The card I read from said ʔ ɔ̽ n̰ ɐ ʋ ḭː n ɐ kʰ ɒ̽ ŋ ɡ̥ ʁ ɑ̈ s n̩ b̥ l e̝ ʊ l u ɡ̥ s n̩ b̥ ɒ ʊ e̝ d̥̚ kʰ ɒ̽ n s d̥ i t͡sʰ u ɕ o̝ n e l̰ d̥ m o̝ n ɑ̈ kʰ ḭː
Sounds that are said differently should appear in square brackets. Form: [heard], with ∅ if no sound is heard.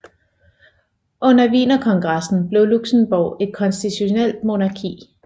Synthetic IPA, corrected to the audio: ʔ ɔ̽ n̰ ɐ ʋ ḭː n ɐ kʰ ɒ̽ ŋ ɡ̥ ʁ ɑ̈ s n̩ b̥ l e̝ ʊ l u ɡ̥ s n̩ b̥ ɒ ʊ e̝ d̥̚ kʰ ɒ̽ n s d̥ i t͡sʰ u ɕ o̝ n e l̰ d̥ m o̝ n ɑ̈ kʰ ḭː